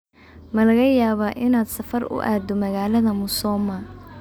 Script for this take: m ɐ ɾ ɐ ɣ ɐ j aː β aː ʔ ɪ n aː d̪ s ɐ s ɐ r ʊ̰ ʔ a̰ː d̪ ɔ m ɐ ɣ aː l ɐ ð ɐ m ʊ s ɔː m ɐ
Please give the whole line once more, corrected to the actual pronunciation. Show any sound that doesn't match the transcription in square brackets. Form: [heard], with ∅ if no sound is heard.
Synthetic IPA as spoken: m ɐ [l] ɐ ɣ ɐ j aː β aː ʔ ɪ n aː d̪ s ɐ [f] ɐ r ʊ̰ ʔ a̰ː d̪ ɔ m ɐ ɣ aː l ɐ ð ɐ m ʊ s ɔː m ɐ